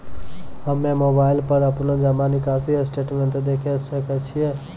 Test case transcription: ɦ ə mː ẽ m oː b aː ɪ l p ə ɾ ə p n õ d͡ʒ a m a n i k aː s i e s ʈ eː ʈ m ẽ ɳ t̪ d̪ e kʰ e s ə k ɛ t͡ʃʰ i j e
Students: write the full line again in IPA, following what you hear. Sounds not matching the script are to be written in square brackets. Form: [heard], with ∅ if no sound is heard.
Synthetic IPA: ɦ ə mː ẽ m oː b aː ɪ l p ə ɾ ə p n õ d͡ʒ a m a n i k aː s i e s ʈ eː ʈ m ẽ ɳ t̪ d̪ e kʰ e s ə k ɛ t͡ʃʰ i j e